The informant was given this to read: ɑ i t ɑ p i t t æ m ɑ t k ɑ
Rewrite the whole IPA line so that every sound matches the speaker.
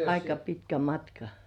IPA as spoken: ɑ i k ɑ p i t k æ m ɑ t k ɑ